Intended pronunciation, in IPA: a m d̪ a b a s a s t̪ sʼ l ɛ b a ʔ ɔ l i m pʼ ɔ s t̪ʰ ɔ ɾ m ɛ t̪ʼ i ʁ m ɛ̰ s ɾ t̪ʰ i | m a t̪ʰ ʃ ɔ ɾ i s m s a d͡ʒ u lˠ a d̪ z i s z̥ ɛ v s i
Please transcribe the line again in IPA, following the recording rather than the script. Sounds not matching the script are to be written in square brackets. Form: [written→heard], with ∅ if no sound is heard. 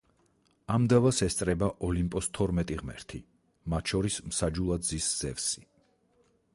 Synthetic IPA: a m d̪ a [b→v] a s [a→ɛ] s t̪ sʼ [l→ɾ] ɛ b a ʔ ɔ l i m pʼ ɔ s t̪ʰ ɔ ɾ m ɛ t̪ʼ i ʁ m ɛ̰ [s→∅] ɾ t̪ʰ i | m a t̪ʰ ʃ ɔ ɾ i s m s a d͡ʒ u lˠ a d̪ z i s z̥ ɛ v s i